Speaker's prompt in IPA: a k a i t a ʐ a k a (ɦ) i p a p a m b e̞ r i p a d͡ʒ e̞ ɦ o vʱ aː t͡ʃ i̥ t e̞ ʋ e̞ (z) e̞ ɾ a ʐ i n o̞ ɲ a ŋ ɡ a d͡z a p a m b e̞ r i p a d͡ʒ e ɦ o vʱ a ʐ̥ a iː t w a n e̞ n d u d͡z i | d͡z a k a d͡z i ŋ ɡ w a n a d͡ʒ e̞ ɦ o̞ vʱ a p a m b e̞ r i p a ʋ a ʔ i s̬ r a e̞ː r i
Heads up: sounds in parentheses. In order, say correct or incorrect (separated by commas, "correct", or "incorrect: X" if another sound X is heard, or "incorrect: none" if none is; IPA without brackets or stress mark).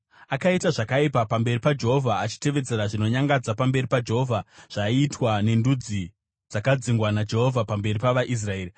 incorrect: none, incorrect: d͡z